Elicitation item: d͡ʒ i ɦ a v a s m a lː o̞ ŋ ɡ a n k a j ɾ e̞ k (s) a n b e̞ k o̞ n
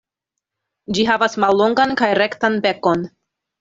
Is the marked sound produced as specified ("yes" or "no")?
no